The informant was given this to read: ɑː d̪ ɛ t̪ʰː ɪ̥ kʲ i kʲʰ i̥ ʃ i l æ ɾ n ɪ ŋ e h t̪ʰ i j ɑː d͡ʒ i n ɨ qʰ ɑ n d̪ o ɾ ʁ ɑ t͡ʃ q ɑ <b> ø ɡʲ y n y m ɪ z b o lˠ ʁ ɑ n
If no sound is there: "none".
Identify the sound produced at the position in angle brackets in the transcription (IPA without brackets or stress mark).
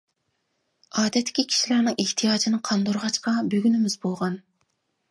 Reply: b